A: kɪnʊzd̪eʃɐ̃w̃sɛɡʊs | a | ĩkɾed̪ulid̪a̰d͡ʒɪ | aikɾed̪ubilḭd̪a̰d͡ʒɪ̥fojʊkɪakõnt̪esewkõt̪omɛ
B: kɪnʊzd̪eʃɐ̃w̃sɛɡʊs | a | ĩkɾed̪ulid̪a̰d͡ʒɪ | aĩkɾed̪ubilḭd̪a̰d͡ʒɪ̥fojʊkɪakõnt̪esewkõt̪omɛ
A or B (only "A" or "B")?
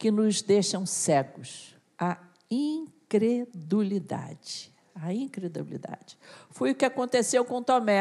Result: B